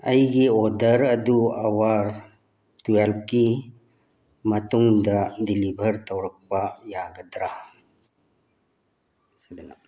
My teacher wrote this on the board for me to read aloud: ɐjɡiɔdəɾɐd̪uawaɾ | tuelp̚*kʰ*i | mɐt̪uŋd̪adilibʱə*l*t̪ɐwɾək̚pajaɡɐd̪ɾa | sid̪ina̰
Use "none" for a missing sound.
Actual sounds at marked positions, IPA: k, ɾ

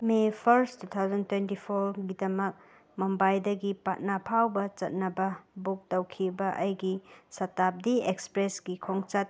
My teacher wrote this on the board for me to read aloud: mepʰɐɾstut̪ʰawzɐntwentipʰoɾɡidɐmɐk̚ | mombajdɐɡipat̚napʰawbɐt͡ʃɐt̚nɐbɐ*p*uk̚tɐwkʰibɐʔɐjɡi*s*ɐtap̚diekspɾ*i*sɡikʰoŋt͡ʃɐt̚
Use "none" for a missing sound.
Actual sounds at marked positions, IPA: b, s, e

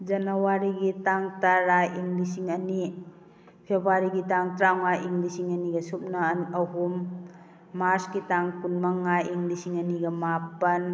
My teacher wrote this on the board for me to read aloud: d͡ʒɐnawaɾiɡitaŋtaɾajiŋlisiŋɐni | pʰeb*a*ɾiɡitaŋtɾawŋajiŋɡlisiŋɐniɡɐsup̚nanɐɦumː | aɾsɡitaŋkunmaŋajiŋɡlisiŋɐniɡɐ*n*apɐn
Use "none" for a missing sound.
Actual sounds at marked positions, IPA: a, m

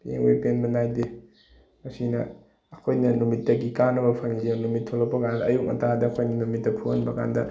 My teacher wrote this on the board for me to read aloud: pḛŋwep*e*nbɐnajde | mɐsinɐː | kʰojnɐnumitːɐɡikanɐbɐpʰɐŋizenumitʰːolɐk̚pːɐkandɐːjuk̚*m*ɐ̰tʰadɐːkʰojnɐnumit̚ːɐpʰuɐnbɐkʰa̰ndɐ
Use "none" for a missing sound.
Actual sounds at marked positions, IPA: e, m

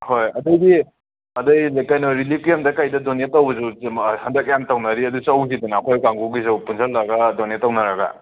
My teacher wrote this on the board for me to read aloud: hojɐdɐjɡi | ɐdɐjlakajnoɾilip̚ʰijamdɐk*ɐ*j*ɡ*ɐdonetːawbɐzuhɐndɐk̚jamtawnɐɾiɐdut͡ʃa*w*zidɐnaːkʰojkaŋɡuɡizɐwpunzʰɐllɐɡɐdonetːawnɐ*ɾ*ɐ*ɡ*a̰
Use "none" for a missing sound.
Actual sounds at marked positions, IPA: a, d, w, ɾ, ɡ

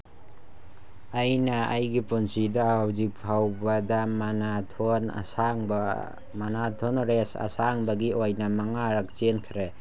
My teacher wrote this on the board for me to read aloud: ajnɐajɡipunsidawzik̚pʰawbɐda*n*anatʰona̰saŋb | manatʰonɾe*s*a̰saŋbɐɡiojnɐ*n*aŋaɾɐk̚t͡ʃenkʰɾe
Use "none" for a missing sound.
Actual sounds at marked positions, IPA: m, s, m

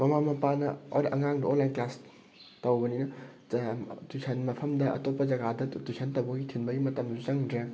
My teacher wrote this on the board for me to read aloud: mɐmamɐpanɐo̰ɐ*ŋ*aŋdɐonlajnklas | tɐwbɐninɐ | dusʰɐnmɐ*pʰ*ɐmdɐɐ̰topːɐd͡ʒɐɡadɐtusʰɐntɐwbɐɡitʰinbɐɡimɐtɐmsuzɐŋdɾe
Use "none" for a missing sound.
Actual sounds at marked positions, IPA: ŋ, pʰ

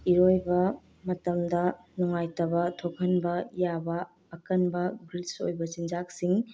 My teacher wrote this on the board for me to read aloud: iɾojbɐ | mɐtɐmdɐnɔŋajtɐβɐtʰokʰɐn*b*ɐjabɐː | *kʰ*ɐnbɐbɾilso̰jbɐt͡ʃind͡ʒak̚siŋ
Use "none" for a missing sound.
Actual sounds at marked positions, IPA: b, k

